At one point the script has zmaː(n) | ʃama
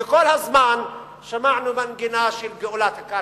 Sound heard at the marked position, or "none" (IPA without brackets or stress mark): n